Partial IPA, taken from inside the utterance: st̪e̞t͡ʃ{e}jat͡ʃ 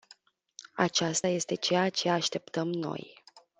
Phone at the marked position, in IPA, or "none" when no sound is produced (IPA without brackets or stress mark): e